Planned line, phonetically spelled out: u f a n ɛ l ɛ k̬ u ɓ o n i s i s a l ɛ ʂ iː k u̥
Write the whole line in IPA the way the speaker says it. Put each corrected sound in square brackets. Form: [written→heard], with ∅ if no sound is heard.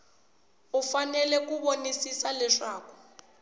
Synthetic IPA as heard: u f a n ɛ l ɛ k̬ u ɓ o n i s i s a l ɛ ʂ [iː→aː] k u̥